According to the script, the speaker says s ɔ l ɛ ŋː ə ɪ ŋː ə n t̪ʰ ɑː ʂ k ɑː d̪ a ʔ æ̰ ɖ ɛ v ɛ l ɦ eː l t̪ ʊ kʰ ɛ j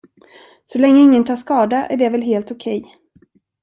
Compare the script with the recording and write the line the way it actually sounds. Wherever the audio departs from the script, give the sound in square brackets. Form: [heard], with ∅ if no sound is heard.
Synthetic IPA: s ɔ l ɛ ŋː ə ɪ ŋː ə n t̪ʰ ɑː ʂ k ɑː d̪ a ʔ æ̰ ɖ ɛ v ɛ l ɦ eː l t̪ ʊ kʰ ɛ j